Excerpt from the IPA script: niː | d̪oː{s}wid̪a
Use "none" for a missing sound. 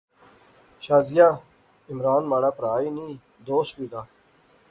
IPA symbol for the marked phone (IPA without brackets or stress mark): s